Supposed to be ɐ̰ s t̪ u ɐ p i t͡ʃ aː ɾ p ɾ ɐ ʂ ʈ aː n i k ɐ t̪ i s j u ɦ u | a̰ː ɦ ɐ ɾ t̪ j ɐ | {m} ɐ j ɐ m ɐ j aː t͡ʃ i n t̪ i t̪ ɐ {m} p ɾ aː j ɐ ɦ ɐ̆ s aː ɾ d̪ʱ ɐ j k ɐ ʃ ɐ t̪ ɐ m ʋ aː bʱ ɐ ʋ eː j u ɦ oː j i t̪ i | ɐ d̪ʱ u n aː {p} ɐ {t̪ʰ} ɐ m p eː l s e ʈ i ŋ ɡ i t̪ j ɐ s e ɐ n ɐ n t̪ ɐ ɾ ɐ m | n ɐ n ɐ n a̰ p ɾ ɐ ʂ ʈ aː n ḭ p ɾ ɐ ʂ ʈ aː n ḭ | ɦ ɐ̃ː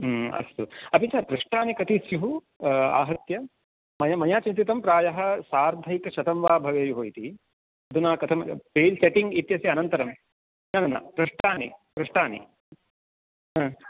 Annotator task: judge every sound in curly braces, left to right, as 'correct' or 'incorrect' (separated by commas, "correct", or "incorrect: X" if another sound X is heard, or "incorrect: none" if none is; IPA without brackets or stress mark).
correct, correct, incorrect: k, correct